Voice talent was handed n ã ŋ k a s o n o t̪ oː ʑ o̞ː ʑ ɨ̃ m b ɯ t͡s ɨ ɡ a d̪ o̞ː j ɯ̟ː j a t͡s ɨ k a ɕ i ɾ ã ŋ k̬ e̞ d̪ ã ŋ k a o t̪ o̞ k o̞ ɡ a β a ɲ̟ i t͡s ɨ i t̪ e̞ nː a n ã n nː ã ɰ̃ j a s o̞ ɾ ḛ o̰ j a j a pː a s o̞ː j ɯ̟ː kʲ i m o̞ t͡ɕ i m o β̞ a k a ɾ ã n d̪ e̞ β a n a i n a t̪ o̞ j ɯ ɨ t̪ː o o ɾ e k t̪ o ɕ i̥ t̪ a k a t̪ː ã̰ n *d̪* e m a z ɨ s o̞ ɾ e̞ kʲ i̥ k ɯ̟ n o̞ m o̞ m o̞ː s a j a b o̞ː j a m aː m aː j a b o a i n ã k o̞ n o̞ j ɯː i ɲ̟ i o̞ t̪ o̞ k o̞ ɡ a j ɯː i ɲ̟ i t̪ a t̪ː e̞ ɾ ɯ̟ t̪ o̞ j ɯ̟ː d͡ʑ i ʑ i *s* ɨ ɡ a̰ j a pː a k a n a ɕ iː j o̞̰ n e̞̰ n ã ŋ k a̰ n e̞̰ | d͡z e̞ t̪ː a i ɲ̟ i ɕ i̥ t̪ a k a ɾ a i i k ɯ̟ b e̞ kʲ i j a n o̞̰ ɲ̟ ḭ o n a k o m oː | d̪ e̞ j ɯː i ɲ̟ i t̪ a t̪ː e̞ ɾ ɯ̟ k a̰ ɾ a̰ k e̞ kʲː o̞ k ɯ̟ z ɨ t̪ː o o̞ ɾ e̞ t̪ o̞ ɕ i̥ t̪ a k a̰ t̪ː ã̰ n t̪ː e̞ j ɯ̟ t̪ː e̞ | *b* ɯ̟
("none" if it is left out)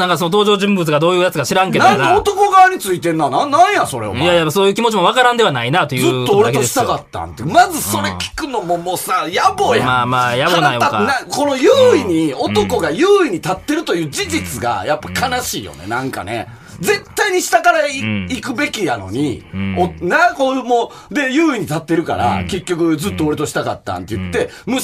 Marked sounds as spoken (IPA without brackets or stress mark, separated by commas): t̪, t͡s, m